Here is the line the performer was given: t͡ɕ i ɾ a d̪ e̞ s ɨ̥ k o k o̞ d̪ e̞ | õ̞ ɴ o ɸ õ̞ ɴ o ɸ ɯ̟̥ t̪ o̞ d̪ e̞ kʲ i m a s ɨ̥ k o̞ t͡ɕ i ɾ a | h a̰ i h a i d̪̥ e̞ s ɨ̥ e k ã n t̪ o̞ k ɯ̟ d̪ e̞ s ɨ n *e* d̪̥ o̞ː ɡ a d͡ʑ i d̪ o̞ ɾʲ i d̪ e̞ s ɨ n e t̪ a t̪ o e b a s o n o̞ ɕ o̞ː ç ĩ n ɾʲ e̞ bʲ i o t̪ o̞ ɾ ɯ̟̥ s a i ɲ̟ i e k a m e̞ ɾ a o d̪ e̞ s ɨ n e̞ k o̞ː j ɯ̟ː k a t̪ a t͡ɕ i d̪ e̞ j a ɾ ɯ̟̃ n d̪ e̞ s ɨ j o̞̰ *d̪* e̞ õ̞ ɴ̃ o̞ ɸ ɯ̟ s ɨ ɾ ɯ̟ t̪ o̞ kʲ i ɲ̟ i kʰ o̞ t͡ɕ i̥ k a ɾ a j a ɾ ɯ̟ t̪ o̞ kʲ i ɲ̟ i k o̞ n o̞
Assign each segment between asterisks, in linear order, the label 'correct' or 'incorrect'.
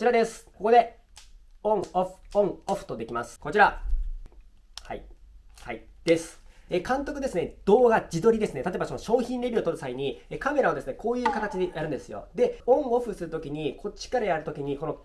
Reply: correct, correct

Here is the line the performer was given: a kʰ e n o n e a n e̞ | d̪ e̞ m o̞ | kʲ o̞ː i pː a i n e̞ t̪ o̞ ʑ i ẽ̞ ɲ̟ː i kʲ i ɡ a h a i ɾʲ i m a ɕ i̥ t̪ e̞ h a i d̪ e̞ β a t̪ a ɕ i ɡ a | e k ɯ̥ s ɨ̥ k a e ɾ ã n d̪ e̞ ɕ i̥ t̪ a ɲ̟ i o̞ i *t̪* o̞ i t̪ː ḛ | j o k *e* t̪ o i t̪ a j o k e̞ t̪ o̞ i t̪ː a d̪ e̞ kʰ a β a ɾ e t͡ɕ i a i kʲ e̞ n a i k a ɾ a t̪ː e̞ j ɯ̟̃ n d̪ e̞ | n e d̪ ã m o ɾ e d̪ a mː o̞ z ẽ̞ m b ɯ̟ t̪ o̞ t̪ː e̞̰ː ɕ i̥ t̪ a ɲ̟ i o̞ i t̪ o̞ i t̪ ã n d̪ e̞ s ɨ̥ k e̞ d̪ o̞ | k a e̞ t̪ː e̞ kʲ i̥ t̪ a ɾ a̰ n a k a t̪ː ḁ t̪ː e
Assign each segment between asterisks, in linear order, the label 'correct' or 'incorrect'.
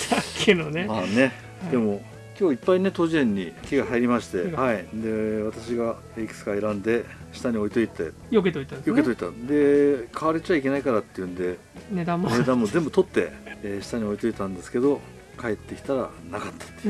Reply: correct, correct

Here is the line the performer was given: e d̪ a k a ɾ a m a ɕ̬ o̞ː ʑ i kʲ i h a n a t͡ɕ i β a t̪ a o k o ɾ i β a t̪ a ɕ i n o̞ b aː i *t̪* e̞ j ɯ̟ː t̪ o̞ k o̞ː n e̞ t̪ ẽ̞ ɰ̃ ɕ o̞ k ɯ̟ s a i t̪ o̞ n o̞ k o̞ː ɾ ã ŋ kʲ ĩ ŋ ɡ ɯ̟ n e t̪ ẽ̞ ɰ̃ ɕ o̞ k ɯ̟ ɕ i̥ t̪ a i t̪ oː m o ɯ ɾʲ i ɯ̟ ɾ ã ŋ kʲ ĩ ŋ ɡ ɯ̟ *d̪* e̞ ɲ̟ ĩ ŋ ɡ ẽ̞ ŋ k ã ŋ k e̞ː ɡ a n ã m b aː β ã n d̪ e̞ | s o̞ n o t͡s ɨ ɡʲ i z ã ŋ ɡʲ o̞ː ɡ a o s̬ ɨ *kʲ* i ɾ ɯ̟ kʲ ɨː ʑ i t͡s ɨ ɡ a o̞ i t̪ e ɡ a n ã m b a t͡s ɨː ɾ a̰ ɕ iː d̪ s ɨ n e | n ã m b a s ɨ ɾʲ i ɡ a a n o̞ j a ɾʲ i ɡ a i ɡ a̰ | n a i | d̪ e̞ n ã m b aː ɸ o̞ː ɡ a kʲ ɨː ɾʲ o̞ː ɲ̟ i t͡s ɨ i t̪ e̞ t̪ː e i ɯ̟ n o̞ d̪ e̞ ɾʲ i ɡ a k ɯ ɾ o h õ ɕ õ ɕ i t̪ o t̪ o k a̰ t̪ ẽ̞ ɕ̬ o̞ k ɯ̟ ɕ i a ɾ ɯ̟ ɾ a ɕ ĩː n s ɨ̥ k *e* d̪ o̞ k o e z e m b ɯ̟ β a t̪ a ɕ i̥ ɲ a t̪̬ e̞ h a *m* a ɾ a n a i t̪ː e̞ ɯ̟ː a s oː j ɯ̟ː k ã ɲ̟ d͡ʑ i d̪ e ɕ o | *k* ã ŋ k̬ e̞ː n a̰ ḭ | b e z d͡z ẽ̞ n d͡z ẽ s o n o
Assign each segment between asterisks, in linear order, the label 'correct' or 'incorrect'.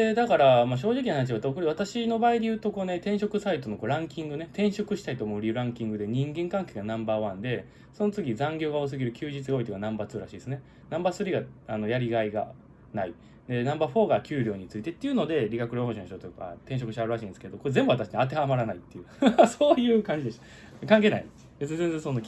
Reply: incorrect, correct, incorrect, correct, correct, correct

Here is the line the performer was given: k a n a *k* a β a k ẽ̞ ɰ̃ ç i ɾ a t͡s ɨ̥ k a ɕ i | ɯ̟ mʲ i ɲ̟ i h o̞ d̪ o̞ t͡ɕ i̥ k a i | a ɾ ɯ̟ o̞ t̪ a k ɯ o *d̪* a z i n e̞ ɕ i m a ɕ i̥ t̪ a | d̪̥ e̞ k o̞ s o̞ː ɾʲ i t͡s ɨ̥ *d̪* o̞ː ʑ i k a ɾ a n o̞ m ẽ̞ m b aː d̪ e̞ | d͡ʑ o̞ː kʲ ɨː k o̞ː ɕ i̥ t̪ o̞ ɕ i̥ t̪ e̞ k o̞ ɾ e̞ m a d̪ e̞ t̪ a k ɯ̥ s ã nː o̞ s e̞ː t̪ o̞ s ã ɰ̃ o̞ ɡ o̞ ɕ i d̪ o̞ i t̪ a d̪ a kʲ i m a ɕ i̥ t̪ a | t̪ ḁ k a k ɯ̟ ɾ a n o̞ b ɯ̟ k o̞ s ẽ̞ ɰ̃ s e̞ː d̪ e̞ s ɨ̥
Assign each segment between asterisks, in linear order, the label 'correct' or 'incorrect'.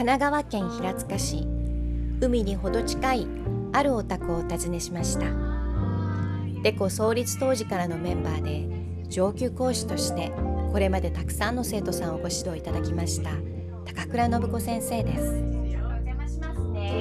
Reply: incorrect, incorrect, incorrect

